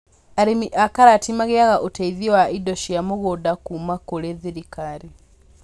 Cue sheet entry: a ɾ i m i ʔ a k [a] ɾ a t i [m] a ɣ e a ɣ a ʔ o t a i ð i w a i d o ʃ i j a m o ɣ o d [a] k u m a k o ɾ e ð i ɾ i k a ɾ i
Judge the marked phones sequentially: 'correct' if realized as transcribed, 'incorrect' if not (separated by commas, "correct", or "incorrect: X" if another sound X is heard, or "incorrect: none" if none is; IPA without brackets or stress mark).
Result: correct, correct, correct